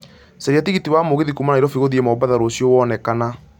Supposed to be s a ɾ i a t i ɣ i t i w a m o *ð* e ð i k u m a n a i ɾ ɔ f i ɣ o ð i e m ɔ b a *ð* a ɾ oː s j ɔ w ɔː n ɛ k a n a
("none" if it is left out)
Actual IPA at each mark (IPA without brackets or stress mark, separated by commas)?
ɣ, ð